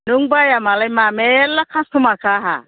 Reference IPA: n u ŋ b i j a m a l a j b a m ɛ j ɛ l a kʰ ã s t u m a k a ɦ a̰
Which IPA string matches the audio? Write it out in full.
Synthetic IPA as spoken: n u ŋ b a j a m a l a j m a m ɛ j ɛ l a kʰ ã s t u m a k a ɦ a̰